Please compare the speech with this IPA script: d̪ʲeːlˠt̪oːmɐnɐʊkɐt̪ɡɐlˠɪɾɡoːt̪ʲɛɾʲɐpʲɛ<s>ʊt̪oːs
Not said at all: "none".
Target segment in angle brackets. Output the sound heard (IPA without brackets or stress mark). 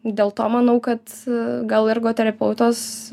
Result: none